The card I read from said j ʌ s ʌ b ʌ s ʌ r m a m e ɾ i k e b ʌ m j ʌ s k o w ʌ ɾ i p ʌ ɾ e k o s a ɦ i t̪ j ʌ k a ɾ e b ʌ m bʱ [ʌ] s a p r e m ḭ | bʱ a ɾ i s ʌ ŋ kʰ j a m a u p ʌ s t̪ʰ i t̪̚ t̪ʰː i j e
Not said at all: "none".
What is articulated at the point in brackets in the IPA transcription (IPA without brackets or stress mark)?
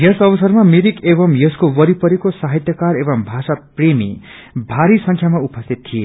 a